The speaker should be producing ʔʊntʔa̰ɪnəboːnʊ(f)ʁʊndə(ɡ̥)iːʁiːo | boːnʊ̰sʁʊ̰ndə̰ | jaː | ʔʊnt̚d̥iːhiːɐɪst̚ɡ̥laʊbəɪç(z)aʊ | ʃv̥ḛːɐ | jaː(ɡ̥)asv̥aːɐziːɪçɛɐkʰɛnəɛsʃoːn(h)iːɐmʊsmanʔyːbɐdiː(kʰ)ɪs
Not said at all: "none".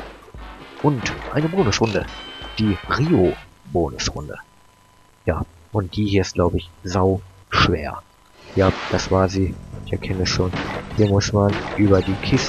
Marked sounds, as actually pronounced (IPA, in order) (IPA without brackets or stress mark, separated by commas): s, d̥, z, d̥, h, kʰ